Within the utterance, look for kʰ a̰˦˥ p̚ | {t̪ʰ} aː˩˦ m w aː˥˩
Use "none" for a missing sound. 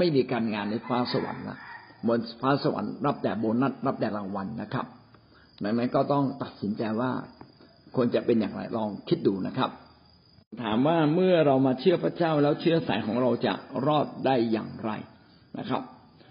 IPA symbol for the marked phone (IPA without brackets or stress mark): t̪ʰ